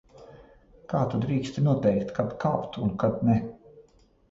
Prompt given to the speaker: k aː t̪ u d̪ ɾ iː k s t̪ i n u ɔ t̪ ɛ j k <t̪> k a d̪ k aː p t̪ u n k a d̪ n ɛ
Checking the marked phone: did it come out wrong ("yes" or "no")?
no